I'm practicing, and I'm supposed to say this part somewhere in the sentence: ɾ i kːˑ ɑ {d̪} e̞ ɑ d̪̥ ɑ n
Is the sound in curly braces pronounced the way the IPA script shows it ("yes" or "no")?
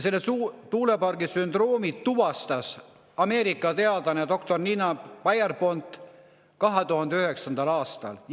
no